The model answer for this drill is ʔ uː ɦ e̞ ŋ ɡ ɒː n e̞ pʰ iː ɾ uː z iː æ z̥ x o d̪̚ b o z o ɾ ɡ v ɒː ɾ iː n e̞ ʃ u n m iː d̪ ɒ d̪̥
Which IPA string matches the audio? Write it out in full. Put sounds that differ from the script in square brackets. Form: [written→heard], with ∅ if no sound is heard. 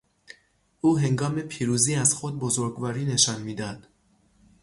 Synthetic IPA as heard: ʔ uː ɦ e̞ ŋ ɡ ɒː [n→m] e̞ pʰ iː ɾ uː z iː æ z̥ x o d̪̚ b o z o ɾ ɡ v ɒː ɾ iː n e̞ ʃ [u→ɒ] n m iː d̪ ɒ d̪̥